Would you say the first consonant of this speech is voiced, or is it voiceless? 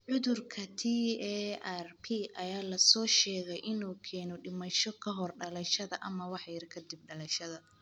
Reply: voiced